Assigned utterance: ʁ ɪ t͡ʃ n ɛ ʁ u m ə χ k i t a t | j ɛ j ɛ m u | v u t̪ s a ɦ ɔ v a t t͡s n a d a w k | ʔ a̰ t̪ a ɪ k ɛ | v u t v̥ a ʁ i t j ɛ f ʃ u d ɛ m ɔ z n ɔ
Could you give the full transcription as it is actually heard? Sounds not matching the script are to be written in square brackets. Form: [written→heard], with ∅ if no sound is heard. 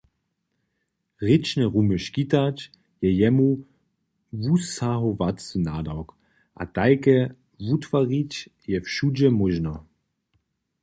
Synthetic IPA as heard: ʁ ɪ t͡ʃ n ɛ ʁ u m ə [χ→ʃ] k i t a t | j ɛ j ɛ m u | v u [t̪→∅] s a ɦ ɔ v a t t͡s n a d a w k | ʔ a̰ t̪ a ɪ k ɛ | v u t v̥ a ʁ i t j ɛ f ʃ u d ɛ m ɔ [z→ʒ] n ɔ

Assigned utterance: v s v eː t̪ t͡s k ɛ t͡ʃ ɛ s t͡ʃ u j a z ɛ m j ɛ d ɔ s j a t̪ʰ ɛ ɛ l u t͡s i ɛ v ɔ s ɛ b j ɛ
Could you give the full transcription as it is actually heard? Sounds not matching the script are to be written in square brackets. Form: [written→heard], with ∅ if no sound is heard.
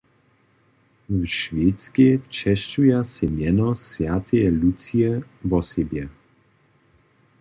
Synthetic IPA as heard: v [s→ʃ] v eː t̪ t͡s k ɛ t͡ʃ ɛ [s→ʃ] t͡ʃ u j a [z→s] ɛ m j ɛ [d→n] ɔ s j a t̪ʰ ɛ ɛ l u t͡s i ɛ v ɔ s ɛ b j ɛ

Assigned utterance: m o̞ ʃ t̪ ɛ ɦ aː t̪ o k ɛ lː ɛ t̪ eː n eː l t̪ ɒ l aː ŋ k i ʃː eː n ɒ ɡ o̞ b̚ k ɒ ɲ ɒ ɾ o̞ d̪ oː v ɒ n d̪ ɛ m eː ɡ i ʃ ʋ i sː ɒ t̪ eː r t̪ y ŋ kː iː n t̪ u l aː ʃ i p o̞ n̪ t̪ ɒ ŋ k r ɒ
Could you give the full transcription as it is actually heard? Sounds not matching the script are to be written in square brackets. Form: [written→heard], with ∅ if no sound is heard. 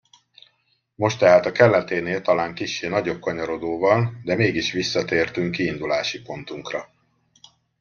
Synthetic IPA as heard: m o̞ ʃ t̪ ɛ ɦ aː t̪ [o→ɒ] k ɛ lː ɛ t̪ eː n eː l t̪ ɒ l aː ŋ k i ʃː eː n ɒ [ɡ→ɟ] o̞ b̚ k ɒ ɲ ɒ ɾ o̞ d̪ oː v ɒ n d̪ ɛ m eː ɡ i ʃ ʋ i sː ɒ t̪ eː r t̪ y ŋ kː iː n [t̪→d̪] u l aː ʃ i p o̞ n̪ t̪ [ɒ→u] ŋ k r ɒ

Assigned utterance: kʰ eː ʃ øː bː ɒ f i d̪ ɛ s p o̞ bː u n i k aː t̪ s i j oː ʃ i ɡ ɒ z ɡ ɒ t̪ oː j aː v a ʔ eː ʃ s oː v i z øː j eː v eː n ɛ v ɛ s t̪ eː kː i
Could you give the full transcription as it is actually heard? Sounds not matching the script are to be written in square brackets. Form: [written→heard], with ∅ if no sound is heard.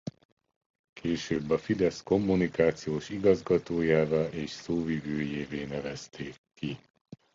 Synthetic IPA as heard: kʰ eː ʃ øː bː ɒ f i d̪ ɛ s [p→k] o̞ [bː→mː] u n i k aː t̪ s i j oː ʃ i ɡ ɒ z ɡ ɒ t̪ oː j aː v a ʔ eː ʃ s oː v i [z→v] øː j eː v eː n ɛ v ɛ s t̪ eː kː i

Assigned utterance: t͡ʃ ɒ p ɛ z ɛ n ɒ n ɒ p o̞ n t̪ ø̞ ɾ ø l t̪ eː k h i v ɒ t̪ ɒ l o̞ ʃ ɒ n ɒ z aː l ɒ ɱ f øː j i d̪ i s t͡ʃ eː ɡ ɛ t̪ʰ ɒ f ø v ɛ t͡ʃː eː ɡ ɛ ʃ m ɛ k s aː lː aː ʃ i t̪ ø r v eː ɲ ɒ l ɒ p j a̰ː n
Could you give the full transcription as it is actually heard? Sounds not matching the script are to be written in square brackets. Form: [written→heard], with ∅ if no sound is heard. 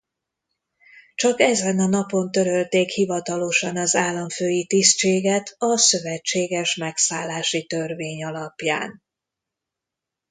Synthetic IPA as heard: t͡ʃ ɒ [p→k] ɛ z ɛ n ɒ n ɒ p o̞ n t̪ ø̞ ɾ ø l t̪ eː k h i v ɒ t̪ ɒ l o̞ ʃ ɒ n ɒ z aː [l→lː] ɒ ɱ f øː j i [d̪→t̪] i s t͡ʃ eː ɡ ɛ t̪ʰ ɒ [f→s] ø v ɛ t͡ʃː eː ɡ ɛ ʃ m ɛ k s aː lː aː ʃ i t̪ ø r v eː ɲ ɒ l ɒ p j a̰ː n

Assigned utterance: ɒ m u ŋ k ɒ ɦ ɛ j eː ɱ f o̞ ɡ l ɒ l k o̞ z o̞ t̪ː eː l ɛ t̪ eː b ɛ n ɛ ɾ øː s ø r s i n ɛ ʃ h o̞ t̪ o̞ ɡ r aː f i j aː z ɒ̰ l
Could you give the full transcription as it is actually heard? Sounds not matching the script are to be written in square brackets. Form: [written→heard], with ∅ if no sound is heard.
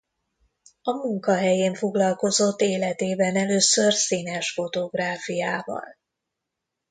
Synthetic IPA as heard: ɒ m u ŋ k ɒ ɦ ɛ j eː ɱ f o̞ ɡ l ɒ l k o̞ z o̞ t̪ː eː l ɛ t̪ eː b ɛ n ɛ [ɾ→l] øː s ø r s i n ɛ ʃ [h→f] o̞ t̪ o̞ ɡ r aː f i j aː [z→v] ɒ̰ l

